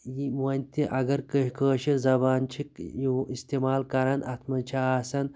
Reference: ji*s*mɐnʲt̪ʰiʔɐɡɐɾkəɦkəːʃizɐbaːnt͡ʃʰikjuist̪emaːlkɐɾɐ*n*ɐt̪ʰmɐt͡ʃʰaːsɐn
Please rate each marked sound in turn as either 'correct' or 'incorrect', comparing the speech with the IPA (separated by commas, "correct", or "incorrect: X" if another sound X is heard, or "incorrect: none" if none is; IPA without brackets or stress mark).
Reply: incorrect: none, correct